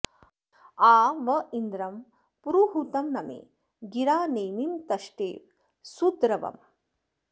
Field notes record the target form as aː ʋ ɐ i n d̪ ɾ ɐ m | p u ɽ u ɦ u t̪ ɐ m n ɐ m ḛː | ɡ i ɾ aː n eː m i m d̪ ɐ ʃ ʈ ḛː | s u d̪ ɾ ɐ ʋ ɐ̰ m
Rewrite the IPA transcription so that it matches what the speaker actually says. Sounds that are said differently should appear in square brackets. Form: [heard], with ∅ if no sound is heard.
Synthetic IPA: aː ʋ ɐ i n d̪ ɾ ɐ m | p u [ɾ] u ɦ u t̪ ɐ m n ɐ m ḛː | ɡ i ɾ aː n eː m i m [t̪] ɐ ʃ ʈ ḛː | s u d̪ ɾ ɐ ʋ ɐ̰ m

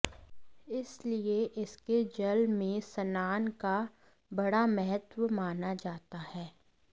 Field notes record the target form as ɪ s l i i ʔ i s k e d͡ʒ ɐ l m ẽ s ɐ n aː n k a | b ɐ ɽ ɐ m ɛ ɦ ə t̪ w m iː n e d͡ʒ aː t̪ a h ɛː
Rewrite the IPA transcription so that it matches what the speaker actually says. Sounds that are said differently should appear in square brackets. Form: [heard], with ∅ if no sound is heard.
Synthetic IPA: ɪ s l i [e] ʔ [ɪ] s k e d͡ʒ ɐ l m ẽ s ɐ n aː n k a | b ɐ ɽ [a] m ɛ ɦ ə t̪ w m [aː] n [a] d͡ʒ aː t̪ a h ɛː

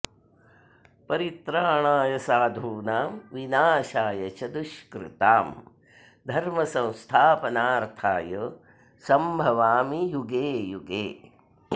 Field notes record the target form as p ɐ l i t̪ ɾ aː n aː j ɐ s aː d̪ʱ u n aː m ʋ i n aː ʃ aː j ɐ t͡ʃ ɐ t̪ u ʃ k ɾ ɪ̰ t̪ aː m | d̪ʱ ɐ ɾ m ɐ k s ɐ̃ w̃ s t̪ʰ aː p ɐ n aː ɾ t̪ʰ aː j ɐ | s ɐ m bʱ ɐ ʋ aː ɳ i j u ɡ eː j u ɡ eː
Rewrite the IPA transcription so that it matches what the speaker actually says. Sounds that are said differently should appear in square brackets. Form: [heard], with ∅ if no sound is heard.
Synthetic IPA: p ɐ [ɾ] i t̪ ɾ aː [ɳ] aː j ɐ s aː d̪ʱ [uː] n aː m ʋ i n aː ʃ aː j ɐ t͡ʃ ɐ [d̪] u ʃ k ɾ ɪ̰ t̪ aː m | d̪ʱ ɐ ɾ m ɐ [∅] s ɐ̃ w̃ s t̪ʰ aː p ɐ n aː ɾ t̪ʰ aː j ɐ | s ɐ m bʱ ɐ ʋ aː [m] i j u ɡ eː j u ɡ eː

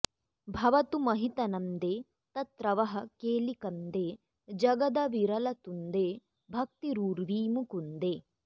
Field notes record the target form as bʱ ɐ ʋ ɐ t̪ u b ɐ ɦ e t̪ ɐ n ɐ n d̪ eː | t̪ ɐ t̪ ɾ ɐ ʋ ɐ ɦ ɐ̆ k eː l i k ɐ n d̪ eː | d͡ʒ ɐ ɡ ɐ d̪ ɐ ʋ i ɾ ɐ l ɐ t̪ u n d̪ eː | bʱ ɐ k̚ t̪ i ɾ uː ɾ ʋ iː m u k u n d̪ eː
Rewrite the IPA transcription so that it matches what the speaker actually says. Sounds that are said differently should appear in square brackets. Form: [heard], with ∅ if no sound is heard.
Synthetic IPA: bʱ ɐ ʋ ɐ t̪ u [m] ɐ ɦ [i] t̪ ɐ n ɐ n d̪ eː | t̪ ɐ t̪ ɾ ɐ ʋ ɐ ɦ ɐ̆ k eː l i k ɐ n d̪ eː | d͡ʒ ɐ ɡ ɐ d̪ ɐ ʋ i ɾ ɐ l ɐ t̪ u n d̪ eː | bʱ ɐ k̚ t̪ i ɾ uː ɾ ʋ iː m u k u n d̪ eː

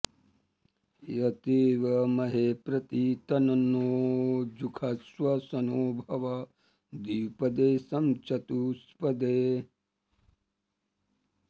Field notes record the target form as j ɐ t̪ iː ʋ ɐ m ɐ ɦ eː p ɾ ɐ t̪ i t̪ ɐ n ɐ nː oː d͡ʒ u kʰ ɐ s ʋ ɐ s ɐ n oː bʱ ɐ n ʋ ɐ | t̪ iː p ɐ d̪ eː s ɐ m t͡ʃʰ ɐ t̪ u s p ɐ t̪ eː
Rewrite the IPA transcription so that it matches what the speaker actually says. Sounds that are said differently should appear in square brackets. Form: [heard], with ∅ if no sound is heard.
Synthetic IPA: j ɐ t̪ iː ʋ ɐ m ɐ ɦ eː p ɾ ɐ t̪ i t̪ ɐ n ɐ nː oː d͡ʒ u kʰ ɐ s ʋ ɐ s ɐ n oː bʱ ɐ [∅] ʋ ɐ | [d̪] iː p ɐ d̪ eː s ɐ m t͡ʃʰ ɐ t̪ u s p ɐ [d̪] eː

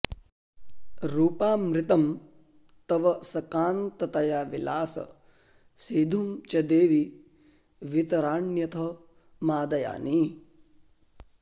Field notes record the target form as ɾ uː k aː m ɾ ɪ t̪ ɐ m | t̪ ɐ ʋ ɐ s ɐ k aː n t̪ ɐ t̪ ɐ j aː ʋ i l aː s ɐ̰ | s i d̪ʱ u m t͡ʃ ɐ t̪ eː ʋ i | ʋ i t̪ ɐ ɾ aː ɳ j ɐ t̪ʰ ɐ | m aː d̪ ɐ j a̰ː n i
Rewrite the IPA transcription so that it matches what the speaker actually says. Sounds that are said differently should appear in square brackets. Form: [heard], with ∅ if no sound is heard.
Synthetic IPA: ɾ uː [p] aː m ɾ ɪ t̪ ɐ m | t̪ ɐ ʋ ɐ s ɐ k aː n t̪ ɐ t̪ ɐ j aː ʋ i l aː s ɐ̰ | s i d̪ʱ u m t͡ʃ ɐ [d̪] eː ʋ i | ʋ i t̪ ɐ ɾ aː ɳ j ɐ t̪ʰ ɐ | m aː d̪ ɐ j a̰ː n i

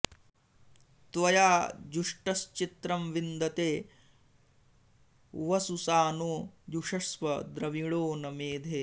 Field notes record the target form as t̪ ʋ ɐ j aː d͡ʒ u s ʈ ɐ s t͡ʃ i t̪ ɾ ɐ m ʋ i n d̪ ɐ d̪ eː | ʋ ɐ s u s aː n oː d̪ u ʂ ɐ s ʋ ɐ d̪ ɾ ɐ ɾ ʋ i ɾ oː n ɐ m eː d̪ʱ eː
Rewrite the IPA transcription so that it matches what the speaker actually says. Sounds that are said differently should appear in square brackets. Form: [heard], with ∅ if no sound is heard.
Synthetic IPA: t̪ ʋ ɐ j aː d͡ʒ u [ʂ] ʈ ɐ s t͡ʃ i t̪ ɾ ɐ m ʋ i n d̪ ɐ [t̪] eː | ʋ ɐ s u s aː n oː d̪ u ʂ ɐ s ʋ ɐ d̪ ɾ ɐ [∅] ʋ i [ɭ] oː n ɐ m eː d̪ʱ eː

